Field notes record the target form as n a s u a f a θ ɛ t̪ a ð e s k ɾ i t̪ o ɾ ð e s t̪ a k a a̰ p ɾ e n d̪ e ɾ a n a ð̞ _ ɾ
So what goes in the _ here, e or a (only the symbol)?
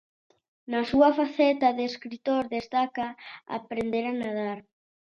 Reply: a